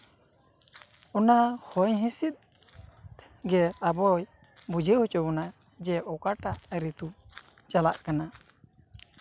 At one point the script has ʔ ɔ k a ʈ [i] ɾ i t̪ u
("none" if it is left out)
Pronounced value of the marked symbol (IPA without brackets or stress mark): a